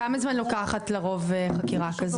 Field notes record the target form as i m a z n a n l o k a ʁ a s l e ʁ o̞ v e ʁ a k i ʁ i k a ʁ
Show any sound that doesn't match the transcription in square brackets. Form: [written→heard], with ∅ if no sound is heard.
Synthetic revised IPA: [i→a] m a z [n→m] a n l o k a [ʁ→χ] a [s→t] l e ʁ o̞ v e [ʁ→χ] a k i ʁ [i→a] k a [ʁ→z]